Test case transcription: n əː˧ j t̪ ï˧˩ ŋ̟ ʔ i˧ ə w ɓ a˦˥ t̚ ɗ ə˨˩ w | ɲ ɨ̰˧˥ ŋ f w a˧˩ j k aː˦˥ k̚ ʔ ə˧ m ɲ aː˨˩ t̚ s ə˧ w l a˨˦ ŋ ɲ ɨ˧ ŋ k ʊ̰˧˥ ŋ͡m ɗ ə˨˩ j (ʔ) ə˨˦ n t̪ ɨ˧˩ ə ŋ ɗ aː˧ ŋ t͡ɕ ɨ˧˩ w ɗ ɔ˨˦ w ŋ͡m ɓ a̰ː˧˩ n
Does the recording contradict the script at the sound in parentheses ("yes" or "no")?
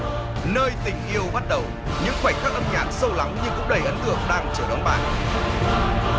no